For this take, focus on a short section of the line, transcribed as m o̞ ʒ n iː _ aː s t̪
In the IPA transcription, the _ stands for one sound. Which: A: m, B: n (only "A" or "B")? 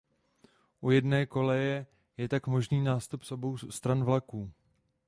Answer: B